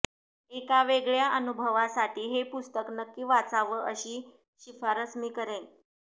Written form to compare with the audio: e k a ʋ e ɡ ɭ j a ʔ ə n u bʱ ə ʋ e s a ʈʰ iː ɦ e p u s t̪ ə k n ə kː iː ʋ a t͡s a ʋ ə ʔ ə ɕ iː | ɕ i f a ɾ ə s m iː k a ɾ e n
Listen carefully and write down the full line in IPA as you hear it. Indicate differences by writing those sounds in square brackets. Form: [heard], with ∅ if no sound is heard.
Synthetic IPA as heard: e k a ʋ e ɡ ɭ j a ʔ ə n u bʱ ə ʋ [a] s a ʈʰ iː ɦ e p u s t̪ ə k n ə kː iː ʋ a t͡s a ʋ ə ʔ ə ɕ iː | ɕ i f a ɾ ə s m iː k [ə] ɾ e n